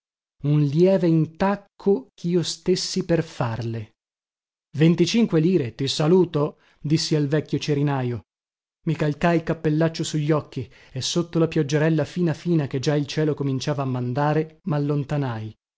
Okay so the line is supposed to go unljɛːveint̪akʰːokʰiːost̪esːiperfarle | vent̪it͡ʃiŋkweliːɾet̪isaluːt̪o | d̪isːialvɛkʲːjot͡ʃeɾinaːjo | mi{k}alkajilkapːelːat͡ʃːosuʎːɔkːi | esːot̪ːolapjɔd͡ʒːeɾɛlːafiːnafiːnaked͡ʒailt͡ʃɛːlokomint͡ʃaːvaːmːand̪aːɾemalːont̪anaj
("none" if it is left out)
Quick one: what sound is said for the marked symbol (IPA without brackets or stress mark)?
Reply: k